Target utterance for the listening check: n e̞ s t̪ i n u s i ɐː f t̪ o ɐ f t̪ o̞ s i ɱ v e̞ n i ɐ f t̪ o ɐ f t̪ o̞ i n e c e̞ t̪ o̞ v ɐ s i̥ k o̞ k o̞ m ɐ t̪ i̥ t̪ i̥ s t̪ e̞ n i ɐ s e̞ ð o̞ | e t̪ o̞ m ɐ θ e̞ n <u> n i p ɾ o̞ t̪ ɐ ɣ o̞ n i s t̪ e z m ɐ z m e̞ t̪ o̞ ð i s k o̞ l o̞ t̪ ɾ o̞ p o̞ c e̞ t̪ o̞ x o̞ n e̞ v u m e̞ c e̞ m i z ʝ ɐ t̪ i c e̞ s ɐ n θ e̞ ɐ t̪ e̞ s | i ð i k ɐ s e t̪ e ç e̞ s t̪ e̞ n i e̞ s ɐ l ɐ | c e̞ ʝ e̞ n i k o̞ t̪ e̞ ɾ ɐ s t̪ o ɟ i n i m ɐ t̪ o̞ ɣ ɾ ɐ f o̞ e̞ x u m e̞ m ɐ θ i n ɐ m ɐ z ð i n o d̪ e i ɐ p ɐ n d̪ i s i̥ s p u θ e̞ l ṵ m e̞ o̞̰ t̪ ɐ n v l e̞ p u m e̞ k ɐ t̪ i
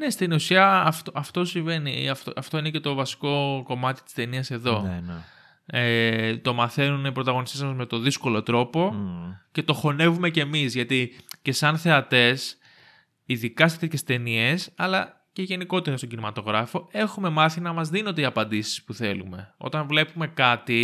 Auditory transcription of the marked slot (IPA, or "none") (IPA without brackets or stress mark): u